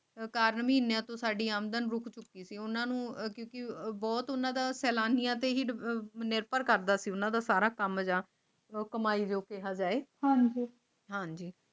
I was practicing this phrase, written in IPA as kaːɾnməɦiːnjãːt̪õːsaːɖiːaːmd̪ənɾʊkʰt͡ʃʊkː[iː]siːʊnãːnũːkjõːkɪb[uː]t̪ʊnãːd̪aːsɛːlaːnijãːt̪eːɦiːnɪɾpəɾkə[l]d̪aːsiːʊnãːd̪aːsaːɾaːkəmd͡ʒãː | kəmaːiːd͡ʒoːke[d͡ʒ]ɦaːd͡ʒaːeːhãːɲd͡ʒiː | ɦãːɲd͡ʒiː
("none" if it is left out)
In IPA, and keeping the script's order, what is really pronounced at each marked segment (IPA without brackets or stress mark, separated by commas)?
iː, ɔː, ɾ, none